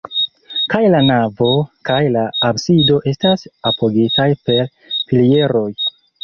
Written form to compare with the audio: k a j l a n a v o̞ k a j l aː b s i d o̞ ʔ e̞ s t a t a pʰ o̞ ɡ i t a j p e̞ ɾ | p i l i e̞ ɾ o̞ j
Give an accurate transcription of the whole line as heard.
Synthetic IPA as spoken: k a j l a n a v o̞ k a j l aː b s i d o̞ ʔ e̞ s t a s a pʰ o̞ ɡ i t a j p e̞ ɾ | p i l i e̞ ɾ o̞ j